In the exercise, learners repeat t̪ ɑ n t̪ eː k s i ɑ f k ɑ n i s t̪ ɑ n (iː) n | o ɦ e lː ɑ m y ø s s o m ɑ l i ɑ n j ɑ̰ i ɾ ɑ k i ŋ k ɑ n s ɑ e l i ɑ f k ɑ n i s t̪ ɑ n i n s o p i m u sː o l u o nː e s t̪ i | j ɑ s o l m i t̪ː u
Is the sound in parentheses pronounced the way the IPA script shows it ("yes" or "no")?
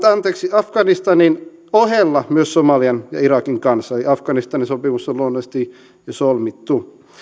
no